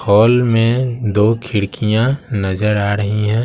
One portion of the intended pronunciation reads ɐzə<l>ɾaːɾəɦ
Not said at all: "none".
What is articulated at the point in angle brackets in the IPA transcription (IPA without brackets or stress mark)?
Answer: none